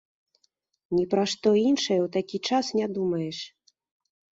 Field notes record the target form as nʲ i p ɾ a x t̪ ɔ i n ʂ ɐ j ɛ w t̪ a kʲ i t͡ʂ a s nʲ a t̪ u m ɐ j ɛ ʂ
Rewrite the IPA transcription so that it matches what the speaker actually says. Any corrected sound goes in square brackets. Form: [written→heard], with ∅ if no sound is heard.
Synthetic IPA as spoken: nʲ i p ɾ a [x→ʂ] t̪ ɔ i n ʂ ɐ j ɛ w t̪ a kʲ i t͡ʂ a s nʲ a [t̪→d̪] u m ɐ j ɛ ʂ